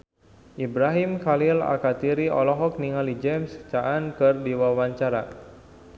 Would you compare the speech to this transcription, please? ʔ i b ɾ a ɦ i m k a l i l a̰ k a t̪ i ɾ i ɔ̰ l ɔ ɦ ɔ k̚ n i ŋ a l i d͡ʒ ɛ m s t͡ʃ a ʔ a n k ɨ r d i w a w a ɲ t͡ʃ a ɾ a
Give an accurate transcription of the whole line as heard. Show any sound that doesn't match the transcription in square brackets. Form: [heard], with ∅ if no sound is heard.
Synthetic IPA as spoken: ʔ i b ɾ a ɦ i m k a l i l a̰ k a t̪ i ɾ i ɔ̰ l ɔ ɦ ɔ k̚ n i ŋ a l i d͡ʒ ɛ m s t͡ʃ a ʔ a n k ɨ r d i w a w a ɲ t͡ʃ a ɾ a